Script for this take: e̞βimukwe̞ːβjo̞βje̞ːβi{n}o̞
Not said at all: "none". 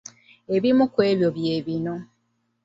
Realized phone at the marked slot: n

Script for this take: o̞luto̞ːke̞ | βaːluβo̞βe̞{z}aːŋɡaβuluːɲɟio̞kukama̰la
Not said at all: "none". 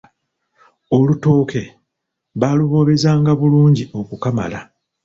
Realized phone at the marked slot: z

